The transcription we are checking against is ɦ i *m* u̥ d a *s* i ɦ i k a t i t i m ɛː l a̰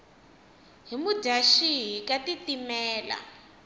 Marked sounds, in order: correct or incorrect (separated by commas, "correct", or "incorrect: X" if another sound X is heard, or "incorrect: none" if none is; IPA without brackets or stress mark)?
correct, incorrect: ʃ